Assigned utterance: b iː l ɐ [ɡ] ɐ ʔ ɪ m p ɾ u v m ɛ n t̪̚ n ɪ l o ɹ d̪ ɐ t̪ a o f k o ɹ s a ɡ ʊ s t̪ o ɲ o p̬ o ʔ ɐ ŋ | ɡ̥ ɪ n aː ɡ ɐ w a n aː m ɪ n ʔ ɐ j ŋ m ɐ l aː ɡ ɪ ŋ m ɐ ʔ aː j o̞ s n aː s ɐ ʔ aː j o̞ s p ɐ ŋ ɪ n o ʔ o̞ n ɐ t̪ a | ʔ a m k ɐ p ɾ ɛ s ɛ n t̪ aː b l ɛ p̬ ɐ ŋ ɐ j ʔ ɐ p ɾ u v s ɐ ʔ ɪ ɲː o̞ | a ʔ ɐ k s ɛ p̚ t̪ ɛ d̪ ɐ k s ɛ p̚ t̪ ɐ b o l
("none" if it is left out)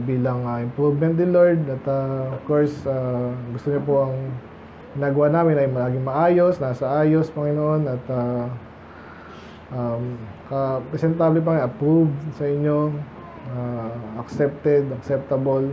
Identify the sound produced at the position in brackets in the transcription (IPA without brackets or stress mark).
ŋ